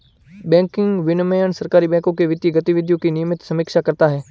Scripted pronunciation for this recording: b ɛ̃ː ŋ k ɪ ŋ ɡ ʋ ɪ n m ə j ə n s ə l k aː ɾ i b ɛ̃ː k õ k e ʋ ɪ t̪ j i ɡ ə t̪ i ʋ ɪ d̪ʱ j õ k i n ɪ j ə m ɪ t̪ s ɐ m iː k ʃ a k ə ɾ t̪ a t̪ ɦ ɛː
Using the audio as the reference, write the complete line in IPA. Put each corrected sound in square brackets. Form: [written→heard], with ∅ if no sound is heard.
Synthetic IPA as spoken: b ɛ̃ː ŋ k ɪ ŋ ɡ ʋ ɪ n m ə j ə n s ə [l→ɾ] k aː ɾ i b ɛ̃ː k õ k e ʋ ɪ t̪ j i ɡ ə t̪ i ʋ ɪ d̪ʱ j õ k i n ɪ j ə m ɪ t̪ s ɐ m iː k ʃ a k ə ɾ t̪ a [t̪→∅] ɦ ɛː

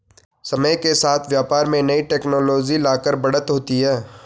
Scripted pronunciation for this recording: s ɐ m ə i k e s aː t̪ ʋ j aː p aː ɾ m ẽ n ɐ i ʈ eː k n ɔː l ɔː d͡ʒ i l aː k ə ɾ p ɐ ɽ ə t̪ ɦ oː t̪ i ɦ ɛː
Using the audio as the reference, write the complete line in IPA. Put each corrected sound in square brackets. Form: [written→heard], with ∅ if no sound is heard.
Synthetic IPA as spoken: s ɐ m ə [i→j] k e s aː [t̪→t̪ʰ] ʋ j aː p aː ɾ m ẽ n ɐ i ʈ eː k n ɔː l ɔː d͡ʒ i l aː k ə ɾ [p→b] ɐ ɽ ə t̪ ɦ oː t̪ i ɦ ɛː

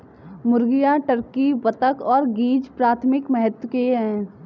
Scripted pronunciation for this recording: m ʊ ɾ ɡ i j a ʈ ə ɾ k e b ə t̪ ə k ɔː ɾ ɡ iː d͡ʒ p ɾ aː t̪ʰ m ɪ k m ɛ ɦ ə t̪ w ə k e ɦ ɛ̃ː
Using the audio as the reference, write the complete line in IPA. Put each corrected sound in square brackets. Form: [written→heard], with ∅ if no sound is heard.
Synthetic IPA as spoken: m ʊ ɾ ɡ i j a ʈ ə ɾ k [e→i] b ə t̪ ə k ɔː ɾ ɡ iː d͡ʒ p ɾ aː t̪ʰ m ɪ k m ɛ ɦ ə t̪ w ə k e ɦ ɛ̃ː

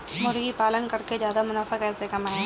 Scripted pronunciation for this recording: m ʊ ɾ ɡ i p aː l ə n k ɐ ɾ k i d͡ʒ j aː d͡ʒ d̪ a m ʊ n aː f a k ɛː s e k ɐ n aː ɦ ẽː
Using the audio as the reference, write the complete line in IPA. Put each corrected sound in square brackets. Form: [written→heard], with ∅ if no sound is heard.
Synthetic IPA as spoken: m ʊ ɾ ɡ i p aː l ə n k ɐ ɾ k [i→e] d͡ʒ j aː [d͡ʒ→∅] d̪ a m ʊ n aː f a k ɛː s e k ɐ [n→m] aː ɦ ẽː

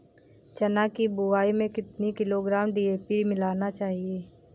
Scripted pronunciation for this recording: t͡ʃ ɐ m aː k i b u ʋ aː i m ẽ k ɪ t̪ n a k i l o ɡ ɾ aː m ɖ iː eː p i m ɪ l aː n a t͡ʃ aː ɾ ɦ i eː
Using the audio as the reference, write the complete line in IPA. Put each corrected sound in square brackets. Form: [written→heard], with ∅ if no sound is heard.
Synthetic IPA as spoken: t͡ʃ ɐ [m→n] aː k i b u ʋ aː i m ẽ k ɪ t̪ n [a→i] k [i→ɪ] l o ɡ ɾ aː m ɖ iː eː p i m ɪ l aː n a t͡ʃ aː [ɾ→∅] ɦ i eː

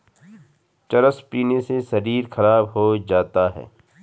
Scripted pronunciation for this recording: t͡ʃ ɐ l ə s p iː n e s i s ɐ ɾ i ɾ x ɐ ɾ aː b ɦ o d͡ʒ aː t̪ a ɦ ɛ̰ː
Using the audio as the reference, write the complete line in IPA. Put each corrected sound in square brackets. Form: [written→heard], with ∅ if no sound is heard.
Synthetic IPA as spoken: t͡ʃ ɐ [l→ɾ] ə s p iː n e s [i→e] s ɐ ɾ [i→iː] ɾ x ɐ ɾ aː b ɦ o d͡ʒ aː t̪ a ɦ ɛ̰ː

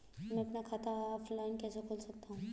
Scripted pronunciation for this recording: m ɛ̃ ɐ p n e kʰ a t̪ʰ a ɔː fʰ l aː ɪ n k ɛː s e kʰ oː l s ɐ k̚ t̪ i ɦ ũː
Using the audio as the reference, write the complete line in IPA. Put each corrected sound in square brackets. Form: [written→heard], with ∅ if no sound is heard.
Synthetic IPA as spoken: m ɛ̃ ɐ p n [e→a] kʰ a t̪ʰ a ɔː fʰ l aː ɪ n k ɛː s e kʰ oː l s ɐ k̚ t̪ [i→a] ɦ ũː

